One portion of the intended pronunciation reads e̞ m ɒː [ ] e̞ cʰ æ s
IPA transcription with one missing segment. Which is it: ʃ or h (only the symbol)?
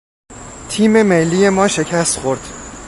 ʃ